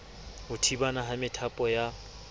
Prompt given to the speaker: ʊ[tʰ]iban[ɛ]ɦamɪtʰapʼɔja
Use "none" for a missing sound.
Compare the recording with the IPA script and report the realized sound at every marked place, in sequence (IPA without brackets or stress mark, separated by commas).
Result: tʰ, a